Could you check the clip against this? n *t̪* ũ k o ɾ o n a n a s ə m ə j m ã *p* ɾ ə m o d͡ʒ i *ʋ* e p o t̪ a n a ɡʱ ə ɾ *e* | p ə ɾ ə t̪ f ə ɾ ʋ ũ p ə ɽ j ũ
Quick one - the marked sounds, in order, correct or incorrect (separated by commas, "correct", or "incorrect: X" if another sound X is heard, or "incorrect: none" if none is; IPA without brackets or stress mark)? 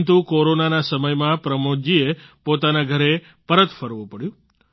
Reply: correct, correct, incorrect: none, correct